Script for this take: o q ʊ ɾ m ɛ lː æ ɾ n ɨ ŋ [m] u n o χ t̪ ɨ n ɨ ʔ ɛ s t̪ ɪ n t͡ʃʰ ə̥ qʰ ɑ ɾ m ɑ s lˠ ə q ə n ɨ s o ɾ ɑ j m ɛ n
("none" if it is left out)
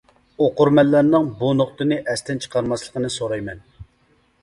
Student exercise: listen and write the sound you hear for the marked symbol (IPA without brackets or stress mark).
b